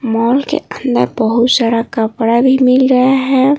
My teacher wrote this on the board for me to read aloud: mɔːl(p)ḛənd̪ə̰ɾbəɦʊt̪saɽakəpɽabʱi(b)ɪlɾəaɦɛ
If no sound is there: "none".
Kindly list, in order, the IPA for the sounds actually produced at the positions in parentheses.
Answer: k, m

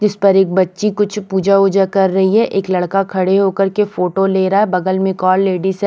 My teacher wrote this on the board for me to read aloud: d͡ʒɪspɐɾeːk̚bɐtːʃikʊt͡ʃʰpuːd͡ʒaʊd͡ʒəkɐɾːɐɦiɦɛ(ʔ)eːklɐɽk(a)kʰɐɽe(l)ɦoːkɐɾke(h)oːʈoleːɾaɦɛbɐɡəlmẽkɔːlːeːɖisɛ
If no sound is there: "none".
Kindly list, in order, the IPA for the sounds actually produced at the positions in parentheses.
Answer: ʔ, a, none, f

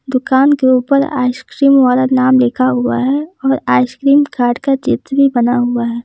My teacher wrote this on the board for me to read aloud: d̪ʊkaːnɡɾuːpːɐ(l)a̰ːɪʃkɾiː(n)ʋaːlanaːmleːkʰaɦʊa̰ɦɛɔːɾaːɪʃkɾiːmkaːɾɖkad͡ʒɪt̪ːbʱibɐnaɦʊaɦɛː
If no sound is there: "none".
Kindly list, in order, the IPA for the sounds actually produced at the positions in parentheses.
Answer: ɾ, m

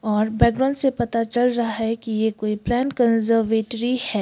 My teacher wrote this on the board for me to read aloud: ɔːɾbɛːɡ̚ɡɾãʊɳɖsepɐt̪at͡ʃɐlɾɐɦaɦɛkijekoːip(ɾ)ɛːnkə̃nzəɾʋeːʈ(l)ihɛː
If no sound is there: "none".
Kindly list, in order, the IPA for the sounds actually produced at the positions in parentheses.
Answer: l, ɾ

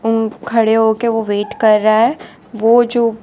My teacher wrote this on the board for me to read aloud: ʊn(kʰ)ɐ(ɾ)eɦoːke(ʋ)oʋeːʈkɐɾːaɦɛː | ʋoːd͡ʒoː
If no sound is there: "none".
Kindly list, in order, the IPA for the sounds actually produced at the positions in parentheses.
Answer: kʰ, ɽ, ʋ

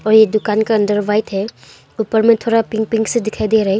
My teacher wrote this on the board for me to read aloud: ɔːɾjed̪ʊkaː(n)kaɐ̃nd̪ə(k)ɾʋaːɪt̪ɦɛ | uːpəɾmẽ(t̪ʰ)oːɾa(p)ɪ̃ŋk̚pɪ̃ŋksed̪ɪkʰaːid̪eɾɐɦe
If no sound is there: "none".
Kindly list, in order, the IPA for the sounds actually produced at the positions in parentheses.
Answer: n, none, t̪ʰ, p

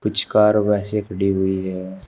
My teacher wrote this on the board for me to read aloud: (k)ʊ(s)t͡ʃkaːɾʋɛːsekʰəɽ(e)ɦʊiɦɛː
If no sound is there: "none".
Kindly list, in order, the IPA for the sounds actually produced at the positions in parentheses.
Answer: p, none, i

